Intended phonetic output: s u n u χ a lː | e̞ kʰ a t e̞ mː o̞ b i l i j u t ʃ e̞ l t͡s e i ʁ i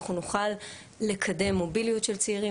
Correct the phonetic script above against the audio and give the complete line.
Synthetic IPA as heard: χ u n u χ a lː | e̞ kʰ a d e̞ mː o̞ b i l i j u t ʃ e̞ l t͡s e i ʁ i